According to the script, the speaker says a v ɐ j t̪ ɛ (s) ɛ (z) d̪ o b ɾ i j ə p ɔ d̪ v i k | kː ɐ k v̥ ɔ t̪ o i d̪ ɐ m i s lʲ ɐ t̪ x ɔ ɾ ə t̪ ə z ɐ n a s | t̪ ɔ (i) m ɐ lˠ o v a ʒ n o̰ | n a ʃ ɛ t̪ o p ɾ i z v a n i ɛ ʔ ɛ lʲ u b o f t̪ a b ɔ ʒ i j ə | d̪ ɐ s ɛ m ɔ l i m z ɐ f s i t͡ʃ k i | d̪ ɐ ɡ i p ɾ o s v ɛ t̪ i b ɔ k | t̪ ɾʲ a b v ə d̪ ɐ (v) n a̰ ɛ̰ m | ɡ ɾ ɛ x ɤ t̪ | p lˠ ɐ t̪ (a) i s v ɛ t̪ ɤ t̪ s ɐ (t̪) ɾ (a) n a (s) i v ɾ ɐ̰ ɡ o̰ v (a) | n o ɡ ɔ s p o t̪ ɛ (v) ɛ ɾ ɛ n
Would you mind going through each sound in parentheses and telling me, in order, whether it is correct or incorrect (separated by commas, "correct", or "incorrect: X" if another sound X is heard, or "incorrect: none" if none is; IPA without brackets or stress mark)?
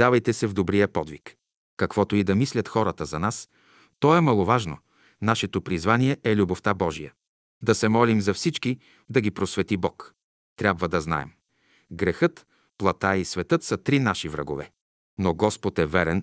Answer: correct, incorrect: v, incorrect: ɛ, incorrect: z, correct, correct, incorrect: i, incorrect: ʃ, incorrect: ɛ, correct